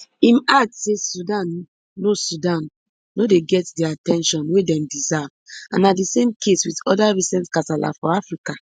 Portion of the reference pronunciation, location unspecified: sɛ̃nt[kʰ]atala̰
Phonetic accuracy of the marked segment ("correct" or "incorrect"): incorrect